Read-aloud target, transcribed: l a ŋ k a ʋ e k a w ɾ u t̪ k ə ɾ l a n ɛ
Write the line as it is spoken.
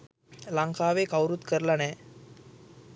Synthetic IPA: l a ŋ k a ʋ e k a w ɾ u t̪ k ə ɾ l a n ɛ